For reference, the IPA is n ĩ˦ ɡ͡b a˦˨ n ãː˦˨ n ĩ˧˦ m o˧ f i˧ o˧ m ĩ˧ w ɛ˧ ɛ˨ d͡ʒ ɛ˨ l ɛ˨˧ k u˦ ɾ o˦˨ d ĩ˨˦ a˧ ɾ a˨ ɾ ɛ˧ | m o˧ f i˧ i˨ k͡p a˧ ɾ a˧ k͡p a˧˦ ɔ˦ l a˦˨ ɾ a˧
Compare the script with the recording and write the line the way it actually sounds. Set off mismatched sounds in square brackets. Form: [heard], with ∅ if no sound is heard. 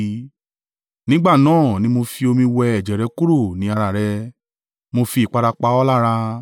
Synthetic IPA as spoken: n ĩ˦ ɡ͡b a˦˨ n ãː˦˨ n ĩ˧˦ m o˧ f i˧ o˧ m ĩ˧ w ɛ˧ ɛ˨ d͡ʒ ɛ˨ [ɾ] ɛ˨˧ k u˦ ɾ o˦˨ [n] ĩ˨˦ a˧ ɾ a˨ ɾ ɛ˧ | m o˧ f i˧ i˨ k͡p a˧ ɾ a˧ k͡p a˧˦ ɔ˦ l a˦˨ ɾ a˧